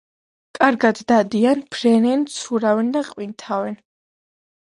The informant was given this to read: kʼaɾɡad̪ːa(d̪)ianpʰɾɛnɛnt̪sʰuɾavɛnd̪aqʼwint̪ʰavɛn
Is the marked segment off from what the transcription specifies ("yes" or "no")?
no